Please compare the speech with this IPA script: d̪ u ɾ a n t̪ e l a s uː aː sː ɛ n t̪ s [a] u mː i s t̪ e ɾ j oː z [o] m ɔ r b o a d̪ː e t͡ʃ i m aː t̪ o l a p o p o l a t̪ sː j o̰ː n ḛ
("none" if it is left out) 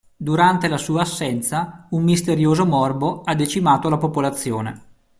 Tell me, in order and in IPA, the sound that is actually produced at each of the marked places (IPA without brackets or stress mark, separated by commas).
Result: a, o